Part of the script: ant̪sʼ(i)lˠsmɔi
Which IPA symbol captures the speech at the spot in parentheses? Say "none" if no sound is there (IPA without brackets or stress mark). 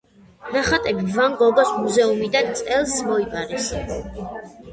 ɛ